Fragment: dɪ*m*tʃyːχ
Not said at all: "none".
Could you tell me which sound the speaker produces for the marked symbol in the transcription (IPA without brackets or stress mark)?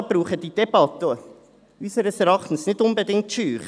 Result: ŋ